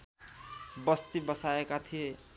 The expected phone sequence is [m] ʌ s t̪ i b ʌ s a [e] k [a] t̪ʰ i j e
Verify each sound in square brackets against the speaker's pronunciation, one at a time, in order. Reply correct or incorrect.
incorrect, correct, correct

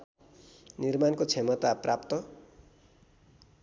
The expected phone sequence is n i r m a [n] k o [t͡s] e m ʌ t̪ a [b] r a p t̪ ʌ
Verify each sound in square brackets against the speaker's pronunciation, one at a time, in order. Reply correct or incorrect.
correct, incorrect, incorrect

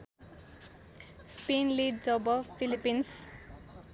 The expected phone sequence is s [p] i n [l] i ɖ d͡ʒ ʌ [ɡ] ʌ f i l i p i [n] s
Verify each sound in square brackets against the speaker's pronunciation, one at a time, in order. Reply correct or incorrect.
correct, correct, incorrect, correct

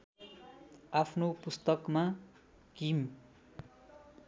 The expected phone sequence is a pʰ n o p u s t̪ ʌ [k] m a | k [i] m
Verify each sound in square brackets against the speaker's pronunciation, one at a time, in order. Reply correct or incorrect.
correct, correct

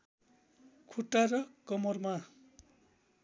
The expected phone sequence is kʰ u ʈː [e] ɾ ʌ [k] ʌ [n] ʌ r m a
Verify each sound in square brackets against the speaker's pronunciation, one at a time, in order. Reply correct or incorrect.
incorrect, correct, incorrect

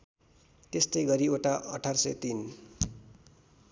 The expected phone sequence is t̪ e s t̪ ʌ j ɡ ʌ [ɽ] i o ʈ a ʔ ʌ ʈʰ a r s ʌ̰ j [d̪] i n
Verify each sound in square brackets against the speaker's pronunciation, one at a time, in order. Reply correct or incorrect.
incorrect, incorrect

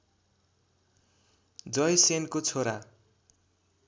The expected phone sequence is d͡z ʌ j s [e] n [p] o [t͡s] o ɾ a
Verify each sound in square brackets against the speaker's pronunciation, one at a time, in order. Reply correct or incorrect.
correct, incorrect, incorrect

